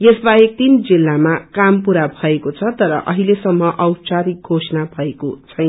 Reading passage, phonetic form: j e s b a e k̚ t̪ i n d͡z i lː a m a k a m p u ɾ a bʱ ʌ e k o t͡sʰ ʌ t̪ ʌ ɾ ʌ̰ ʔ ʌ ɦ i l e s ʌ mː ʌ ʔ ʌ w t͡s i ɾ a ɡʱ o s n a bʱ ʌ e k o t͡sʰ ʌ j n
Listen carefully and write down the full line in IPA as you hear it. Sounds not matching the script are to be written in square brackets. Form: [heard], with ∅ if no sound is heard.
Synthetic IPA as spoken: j e s b a e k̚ t̪ i n d͡z i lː a m a k a m p u ɾ a bʱ ʌ e k o t͡sʰ ʌ t̪ ʌ ɾ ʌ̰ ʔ ʌ ɦ i l e s ʌ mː ʌ ʔ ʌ w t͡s [a] ɾ [i] ɡʱ o s n a bʱ ʌ e k o t͡sʰ ʌ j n